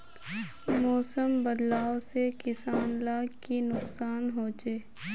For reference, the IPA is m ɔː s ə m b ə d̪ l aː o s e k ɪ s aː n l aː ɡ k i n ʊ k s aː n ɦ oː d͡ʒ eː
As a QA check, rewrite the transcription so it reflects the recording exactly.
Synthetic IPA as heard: m ɔː s ə m b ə d̪ l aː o s e k ɪ s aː n l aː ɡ k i n ʊ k s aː n ɦ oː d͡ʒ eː